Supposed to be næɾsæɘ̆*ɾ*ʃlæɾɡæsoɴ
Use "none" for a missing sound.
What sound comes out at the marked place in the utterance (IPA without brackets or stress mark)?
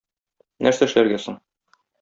none